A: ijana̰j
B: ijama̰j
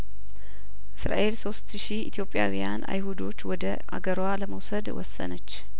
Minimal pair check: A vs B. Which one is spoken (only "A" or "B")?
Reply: A